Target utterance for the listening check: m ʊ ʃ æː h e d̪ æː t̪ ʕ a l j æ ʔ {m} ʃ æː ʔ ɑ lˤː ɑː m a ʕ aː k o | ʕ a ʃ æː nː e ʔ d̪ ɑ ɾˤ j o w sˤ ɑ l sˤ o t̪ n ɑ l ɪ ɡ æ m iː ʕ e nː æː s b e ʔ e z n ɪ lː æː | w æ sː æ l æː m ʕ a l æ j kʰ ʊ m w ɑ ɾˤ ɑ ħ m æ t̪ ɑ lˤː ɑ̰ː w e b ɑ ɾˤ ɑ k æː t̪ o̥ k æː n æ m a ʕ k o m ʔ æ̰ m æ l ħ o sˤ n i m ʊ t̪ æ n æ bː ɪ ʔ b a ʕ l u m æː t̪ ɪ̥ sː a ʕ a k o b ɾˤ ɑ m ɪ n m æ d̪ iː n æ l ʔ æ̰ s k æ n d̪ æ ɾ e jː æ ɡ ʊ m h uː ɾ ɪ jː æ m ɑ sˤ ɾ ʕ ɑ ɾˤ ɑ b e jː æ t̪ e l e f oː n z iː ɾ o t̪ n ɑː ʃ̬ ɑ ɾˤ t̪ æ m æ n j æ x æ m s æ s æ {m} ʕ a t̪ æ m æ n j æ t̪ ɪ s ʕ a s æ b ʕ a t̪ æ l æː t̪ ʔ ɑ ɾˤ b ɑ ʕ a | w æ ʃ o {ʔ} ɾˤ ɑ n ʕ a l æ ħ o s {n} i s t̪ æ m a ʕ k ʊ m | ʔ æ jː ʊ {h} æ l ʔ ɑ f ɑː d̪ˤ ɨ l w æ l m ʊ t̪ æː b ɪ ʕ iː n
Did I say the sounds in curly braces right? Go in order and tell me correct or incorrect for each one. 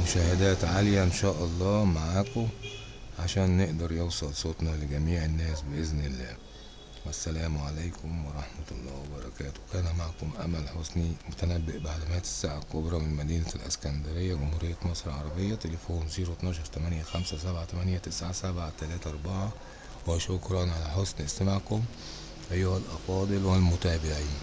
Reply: incorrect: n, incorrect: b, incorrect: k, correct, correct

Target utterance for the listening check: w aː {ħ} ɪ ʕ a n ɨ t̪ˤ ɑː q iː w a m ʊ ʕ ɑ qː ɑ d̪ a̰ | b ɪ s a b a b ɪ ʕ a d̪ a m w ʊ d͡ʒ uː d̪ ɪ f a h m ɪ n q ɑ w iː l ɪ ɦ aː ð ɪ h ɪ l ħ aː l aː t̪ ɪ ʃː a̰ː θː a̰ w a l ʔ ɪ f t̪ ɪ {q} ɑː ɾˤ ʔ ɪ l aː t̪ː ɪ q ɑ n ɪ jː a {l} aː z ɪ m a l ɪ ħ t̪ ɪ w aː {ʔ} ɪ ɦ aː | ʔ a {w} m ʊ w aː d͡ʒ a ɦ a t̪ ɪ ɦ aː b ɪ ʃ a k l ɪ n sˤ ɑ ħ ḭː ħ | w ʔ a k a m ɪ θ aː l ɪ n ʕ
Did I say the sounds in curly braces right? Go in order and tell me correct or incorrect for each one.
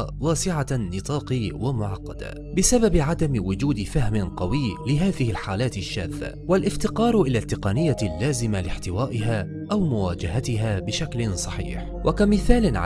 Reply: incorrect: s, correct, incorrect: lː, correct, correct

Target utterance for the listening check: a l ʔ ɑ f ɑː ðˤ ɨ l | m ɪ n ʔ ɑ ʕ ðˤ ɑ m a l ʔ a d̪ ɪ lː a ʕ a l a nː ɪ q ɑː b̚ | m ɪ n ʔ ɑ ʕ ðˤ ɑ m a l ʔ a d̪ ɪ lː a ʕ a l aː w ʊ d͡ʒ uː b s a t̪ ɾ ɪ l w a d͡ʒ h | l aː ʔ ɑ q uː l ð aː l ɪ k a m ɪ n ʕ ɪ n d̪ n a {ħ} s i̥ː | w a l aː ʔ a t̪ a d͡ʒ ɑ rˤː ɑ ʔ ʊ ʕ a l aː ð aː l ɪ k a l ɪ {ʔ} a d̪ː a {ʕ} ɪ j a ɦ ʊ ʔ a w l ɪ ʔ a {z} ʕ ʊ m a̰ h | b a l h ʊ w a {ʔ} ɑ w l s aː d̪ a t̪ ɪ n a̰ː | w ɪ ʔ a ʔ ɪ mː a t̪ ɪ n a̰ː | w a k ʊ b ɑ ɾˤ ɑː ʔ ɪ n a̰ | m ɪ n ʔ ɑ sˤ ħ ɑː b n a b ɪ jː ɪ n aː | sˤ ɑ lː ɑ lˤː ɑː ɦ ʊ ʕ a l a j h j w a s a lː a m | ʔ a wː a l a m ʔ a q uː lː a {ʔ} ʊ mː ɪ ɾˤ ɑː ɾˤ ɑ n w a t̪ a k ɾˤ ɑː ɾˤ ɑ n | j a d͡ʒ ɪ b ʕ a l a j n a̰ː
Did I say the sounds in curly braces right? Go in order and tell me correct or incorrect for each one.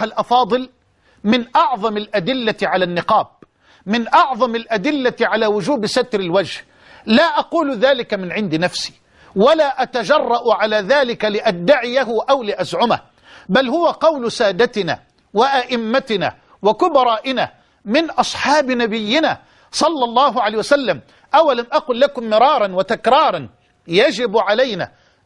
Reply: incorrect: f, correct, correct, correct, incorrect: q, incorrect: k

